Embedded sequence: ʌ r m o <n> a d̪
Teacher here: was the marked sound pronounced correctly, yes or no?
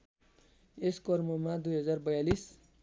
no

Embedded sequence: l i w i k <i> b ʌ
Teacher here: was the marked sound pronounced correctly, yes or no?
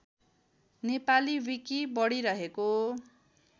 yes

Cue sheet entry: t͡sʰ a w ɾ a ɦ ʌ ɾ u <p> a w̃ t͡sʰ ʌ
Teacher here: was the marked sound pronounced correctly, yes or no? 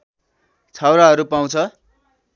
yes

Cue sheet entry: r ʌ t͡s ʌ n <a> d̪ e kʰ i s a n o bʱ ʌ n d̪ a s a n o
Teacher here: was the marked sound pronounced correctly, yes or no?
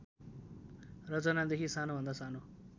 yes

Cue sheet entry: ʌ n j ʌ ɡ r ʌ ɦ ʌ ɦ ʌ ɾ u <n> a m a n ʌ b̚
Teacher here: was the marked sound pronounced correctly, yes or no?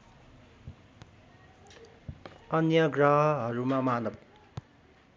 no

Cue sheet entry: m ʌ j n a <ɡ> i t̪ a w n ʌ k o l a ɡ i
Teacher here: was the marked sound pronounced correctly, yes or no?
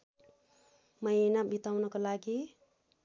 no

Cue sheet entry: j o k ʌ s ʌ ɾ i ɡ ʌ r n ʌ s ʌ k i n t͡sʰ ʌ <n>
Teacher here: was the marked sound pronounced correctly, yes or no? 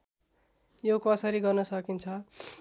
no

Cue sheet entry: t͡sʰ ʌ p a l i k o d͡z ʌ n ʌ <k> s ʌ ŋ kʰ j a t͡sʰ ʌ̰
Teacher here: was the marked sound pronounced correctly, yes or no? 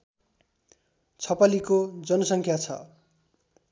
no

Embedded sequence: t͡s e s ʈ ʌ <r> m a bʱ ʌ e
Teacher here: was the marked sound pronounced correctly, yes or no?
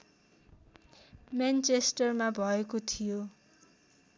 yes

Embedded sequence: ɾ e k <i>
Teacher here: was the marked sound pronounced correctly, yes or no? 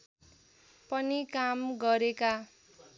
no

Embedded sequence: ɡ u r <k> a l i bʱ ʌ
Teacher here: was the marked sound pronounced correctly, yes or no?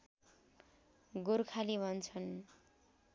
no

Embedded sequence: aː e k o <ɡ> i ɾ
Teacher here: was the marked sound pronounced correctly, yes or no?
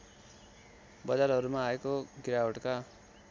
yes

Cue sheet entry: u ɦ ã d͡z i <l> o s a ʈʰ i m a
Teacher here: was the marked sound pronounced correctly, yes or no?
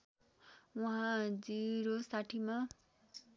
no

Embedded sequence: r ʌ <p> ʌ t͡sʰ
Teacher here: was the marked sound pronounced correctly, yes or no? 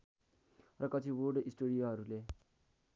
no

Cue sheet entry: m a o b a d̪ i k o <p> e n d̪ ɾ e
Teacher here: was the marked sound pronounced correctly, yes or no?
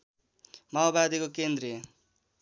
no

